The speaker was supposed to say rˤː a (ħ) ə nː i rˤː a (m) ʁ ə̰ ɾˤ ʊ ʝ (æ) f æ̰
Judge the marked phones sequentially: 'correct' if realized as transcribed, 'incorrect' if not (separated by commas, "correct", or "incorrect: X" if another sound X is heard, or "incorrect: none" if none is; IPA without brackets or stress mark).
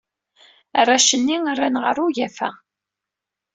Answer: incorrect: ʃ, incorrect: n, correct